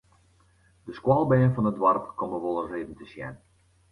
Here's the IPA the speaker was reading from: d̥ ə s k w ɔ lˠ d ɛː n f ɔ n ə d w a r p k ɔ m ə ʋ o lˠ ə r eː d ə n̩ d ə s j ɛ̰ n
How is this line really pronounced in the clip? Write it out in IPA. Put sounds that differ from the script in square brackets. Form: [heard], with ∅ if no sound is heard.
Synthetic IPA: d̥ ə s k w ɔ lˠ [b] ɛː n f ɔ n ə d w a r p k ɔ m ə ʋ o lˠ ə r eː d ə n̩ [t] ə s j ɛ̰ n